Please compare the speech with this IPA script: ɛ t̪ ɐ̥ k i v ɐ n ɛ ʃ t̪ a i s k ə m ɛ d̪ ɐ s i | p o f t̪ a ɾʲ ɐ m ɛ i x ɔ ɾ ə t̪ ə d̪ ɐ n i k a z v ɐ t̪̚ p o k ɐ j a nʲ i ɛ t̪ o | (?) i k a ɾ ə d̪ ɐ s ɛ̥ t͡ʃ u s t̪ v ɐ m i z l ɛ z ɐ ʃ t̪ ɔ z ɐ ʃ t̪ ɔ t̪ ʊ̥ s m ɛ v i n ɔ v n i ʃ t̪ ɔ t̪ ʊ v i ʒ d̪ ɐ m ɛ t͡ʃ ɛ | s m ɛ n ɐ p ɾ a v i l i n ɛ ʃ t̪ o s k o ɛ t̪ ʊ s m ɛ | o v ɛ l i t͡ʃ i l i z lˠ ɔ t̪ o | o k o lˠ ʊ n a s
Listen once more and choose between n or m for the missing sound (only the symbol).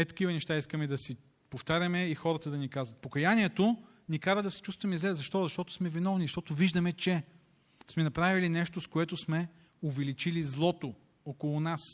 n